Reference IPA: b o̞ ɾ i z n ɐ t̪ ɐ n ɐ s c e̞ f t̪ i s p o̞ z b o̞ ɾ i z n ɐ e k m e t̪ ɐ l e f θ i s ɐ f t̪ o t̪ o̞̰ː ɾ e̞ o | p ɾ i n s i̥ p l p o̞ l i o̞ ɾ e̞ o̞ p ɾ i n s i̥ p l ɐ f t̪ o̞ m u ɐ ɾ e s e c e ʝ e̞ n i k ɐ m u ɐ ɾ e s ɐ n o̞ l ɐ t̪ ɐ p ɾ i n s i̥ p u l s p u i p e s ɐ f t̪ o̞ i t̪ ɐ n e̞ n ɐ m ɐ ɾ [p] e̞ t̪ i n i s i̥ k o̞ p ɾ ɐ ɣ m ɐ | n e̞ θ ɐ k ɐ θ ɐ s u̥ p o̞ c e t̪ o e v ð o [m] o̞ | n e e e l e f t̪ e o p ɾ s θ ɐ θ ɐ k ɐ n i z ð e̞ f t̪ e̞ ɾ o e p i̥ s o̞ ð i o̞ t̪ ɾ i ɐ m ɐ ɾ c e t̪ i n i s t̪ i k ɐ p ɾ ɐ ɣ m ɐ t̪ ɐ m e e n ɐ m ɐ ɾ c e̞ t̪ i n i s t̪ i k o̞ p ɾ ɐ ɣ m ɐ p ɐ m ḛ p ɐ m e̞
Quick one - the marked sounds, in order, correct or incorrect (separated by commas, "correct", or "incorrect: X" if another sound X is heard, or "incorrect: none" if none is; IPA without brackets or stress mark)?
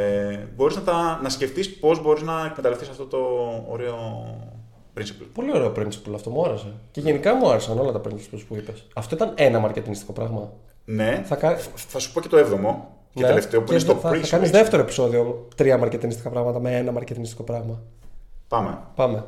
incorrect: c, correct